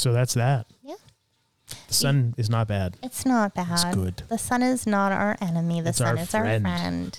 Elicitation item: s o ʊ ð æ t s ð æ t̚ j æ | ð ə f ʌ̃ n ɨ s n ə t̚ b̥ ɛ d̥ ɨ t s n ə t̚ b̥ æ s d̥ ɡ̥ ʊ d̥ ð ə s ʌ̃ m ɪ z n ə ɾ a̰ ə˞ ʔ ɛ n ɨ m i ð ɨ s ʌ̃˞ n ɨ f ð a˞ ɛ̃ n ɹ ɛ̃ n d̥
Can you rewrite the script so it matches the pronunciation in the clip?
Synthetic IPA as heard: s o ʊ ð æ t s ð æ t̚ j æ | ð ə s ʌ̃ n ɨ z n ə t̚ b̥ æ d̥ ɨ t s n ə t̚ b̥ æ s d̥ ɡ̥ ʊ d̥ ð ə s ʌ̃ n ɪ z n ə ɾ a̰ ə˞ ʔ ɛ n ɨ m i ð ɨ s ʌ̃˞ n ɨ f z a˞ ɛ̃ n ɹ ɛ̃ n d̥